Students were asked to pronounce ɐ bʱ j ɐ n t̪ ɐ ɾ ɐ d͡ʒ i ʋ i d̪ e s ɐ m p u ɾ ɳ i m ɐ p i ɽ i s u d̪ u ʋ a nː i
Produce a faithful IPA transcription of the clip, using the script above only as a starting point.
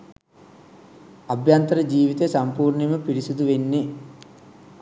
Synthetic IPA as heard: ɐ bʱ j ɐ n t̪ ɐ ɾ ɐ d͡ʒ iː ʋ i t̪ e s ɐ m p uː ɾ ɳ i m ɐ p i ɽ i s u d̪ u ʋ e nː i